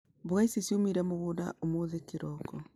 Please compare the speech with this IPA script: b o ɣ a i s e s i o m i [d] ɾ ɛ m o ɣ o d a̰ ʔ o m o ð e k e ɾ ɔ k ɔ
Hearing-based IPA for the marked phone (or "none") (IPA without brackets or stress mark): none